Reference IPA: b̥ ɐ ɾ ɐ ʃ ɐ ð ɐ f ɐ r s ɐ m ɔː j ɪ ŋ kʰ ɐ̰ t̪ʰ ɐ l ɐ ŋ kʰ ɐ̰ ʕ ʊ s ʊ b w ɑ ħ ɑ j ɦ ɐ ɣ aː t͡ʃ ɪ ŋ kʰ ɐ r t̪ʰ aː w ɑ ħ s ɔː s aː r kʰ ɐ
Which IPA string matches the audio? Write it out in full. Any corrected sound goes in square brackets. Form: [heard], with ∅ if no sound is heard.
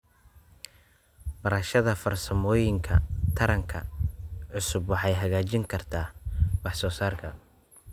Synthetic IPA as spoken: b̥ ɐ ɾ ɐ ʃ ɐ ð ɐ f ɐ r s ɐ m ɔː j ɪ ŋ kʰ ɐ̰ t̪ʰ ɐ [ɾ] ɐ ŋ kʰ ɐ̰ ʕ ʊ s ʊ b w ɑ ħ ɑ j ɦ ɐ ɣ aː t͡ʃ ɪ ŋ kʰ ɐ r t̪ʰ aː w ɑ ħ s ɔː s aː r kʰ ɐ